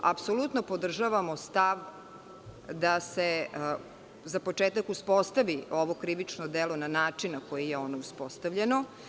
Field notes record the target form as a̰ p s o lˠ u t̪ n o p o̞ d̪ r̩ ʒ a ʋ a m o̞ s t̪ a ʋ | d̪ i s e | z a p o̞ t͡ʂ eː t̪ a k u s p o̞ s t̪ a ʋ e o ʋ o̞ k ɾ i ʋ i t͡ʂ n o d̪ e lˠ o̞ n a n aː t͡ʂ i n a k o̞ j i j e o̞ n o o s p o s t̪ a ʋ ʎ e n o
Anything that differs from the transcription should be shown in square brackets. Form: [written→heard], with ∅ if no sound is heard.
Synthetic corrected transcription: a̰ p s o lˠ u t̪ n o p o̞ d̪ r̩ ʒ a ʋ a m o̞ s t̪ a ʋ | d̪ [i→a] s e | z a p o̞ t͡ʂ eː t̪ a k u s p o̞ s t̪ a ʋ [e→i] o ʋ o̞ k ɾ i ʋ i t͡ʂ n o d̪ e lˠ o̞ n a n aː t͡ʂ i n a k o̞ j i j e o̞ n o [o→u] s p o s t̪ a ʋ ʎ e n o